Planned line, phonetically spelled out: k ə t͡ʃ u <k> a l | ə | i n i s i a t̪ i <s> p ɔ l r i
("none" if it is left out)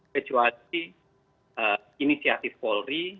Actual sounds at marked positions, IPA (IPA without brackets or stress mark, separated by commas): none, f